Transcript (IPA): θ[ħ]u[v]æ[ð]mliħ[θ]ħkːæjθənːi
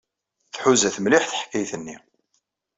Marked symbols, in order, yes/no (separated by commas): yes, no, no, yes